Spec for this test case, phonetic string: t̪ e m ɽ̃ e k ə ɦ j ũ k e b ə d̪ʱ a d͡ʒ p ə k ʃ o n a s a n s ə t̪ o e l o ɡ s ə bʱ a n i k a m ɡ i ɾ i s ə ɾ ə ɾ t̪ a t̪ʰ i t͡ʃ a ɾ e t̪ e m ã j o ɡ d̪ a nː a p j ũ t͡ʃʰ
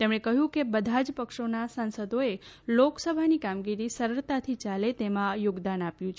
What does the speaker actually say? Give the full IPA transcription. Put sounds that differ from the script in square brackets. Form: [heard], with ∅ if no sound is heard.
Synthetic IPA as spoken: t̪ e m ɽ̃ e k ə ɦ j ũ k e b ə d̪ʱ a d͡ʒ p ə k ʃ o n a s a n s ə [d̪] o e l o [k] s ə bʱ a n i k a m ɡ i ɾ i s ə ɾ ə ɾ t̪ a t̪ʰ i t͡ʃ a [l] e t̪ e m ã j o ɡ d̪ a [n] a p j ũ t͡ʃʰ